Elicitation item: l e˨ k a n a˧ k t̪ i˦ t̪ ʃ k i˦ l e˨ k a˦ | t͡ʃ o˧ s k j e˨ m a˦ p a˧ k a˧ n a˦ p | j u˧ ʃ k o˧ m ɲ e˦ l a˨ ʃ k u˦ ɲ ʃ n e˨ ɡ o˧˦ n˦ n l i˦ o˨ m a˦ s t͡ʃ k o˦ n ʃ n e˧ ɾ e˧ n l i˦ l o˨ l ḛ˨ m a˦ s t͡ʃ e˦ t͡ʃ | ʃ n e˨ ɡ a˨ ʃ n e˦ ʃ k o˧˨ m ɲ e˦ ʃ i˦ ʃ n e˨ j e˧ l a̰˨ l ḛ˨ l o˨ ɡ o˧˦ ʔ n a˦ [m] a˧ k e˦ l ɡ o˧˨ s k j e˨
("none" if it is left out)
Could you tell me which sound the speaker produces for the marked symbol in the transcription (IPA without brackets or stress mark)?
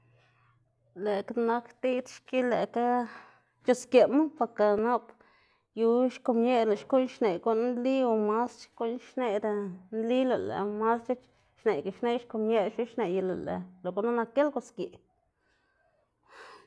n